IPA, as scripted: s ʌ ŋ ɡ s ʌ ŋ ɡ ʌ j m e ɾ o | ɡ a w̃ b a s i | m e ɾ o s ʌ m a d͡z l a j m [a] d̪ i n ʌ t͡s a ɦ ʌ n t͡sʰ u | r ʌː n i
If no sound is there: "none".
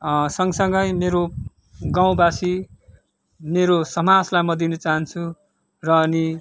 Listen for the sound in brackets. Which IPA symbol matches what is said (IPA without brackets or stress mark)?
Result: ʌ